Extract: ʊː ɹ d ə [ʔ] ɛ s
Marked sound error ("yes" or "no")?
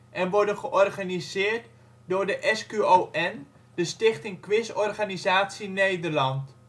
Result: no